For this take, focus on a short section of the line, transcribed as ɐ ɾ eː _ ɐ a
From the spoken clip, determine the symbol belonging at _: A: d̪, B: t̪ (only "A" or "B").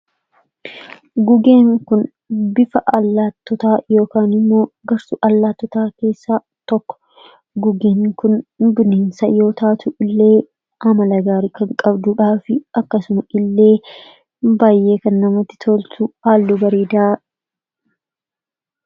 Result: A